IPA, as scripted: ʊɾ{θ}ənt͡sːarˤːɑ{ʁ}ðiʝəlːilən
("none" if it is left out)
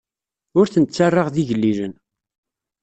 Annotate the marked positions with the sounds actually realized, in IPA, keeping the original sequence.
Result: θ, ʁ

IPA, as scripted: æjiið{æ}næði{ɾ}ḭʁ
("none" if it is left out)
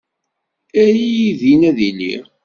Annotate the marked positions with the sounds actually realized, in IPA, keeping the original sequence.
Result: i, l

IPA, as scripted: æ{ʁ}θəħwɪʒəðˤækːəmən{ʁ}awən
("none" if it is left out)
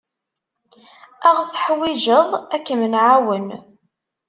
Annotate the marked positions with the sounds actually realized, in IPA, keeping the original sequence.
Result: ʁ, ʕ

